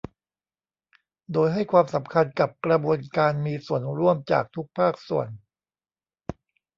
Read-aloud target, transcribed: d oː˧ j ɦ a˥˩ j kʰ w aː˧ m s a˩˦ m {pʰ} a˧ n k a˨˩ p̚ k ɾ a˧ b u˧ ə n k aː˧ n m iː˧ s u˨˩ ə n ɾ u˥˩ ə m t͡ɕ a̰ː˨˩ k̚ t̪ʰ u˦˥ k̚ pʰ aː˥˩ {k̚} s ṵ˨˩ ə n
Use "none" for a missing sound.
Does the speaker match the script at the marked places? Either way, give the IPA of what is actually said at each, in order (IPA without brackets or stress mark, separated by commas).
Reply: kʰ, k̚